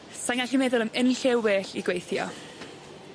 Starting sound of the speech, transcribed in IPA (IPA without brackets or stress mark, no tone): s